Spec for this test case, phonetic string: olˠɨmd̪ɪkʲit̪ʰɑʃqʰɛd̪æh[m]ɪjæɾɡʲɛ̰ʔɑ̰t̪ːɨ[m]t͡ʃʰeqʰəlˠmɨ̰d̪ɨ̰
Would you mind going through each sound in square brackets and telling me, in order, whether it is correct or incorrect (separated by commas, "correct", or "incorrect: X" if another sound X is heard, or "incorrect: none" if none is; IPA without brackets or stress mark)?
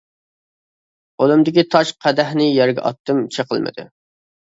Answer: incorrect: n, correct